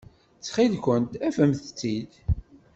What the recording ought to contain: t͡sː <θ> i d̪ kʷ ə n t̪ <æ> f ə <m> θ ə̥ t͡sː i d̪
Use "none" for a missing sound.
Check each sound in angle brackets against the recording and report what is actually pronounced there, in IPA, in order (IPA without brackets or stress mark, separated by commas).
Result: χ, æ, m